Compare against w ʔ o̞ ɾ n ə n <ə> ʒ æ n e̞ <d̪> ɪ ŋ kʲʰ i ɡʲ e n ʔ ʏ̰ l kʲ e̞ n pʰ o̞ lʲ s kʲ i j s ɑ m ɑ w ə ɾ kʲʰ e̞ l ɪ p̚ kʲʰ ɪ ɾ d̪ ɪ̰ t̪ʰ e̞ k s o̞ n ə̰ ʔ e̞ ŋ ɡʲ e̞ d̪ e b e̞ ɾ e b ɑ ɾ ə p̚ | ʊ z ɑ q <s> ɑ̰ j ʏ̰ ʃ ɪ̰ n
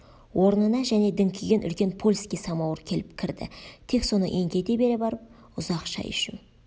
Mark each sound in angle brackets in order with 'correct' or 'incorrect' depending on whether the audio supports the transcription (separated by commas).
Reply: incorrect, correct, incorrect